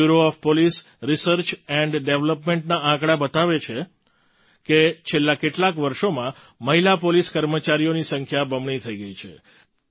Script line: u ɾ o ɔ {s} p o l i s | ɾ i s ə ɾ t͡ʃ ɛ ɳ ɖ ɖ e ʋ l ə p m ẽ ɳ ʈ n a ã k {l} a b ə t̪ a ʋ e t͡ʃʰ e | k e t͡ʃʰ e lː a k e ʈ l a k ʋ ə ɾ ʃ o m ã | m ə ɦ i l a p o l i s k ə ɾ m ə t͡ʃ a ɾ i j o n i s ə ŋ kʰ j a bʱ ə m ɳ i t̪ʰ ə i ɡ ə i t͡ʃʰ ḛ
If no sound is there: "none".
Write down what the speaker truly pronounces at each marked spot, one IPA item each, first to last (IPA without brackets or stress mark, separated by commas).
f, ɽ